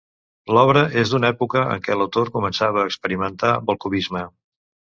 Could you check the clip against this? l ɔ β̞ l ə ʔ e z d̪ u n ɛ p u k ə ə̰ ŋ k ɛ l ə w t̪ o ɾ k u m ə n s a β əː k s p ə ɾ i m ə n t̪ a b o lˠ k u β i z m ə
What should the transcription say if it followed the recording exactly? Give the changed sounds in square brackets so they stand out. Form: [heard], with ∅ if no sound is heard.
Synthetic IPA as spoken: l ɔ β̞ [ɾ] ə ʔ e z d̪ u n ɛ p u k ə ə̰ ŋ k ɛ l ə w t̪ o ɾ k u m ə n s a β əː k s p ə ɾ i m ə n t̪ a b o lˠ k u β i z m ə